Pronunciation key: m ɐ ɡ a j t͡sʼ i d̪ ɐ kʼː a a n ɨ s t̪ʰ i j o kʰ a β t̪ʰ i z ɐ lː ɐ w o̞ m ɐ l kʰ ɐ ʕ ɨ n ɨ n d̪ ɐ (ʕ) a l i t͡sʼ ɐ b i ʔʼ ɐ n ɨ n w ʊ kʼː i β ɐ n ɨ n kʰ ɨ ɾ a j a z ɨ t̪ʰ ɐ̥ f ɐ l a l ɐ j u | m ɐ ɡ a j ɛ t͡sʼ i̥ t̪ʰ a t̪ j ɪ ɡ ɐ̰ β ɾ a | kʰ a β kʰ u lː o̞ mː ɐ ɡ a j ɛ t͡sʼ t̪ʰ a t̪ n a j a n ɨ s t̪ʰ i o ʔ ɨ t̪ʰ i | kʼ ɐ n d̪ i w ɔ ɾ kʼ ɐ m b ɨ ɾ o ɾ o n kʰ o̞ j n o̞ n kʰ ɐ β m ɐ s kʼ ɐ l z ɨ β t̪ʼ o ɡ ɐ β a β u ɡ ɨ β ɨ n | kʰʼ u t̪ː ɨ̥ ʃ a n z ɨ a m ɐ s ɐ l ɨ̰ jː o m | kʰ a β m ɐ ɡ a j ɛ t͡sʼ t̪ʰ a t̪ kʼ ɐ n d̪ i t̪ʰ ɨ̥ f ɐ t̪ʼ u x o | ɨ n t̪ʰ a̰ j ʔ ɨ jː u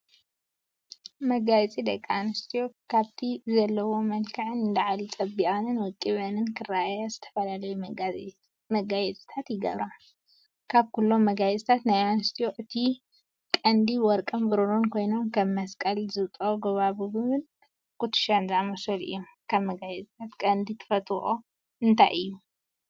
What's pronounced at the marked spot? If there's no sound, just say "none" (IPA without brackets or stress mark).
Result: ʕ